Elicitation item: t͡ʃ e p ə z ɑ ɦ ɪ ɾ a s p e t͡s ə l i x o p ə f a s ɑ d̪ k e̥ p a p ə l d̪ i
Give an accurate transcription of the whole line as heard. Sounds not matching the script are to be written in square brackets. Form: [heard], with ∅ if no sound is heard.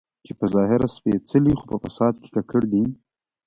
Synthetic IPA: t͡ʃ e p ə z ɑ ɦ ɪ ɾ a s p e t͡s ə l i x o p ə f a s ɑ d̪ k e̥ [k] a [k] ə [ɽ] d̪ i